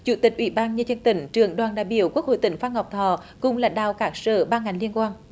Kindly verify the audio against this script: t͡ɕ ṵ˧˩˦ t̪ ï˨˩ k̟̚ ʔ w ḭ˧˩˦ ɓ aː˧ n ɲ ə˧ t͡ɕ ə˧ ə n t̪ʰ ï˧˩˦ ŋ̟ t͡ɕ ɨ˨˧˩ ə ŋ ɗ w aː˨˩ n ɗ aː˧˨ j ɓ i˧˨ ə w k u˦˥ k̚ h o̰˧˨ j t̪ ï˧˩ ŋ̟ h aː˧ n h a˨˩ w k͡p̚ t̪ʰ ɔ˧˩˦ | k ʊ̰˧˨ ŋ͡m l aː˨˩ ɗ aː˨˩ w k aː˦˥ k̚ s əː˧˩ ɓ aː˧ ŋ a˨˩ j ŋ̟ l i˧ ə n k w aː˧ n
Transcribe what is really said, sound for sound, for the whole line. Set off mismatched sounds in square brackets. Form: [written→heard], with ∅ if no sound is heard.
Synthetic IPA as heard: t͡ɕ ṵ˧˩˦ t̪ ï˨˩ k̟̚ ʔ w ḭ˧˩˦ ɓ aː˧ n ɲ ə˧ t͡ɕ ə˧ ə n [t̪ʰ→t̪] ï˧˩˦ ŋ̟ t͡ɕ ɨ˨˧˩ ə ŋ ɗ w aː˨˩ n ɗ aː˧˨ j ɓ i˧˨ ə w k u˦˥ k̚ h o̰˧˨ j t̪ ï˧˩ ŋ̟ [h→f] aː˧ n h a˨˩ w k͡p̚ t̪ʰ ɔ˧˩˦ | k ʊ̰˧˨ ŋ͡m l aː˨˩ ɗ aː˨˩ w k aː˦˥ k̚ s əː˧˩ ɓ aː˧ ŋ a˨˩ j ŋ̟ l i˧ ə n k w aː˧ n